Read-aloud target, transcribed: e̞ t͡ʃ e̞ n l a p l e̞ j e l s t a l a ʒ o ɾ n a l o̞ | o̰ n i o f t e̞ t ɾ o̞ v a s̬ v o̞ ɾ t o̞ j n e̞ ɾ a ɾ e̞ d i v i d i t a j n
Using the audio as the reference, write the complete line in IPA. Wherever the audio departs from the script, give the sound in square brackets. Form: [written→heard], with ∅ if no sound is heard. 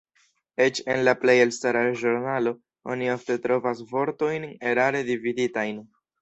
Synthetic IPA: e̞ t͡ʃ e̞ n l a p l e̞ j e l s t a [l→ɾ] a ʒ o ɾ n a l o̞ | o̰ n i o f t e̞ t ɾ o̞ v a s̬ v o̞ ɾ t o̞ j n e̞ ɾ a ɾ e̞ d i v i d i t a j n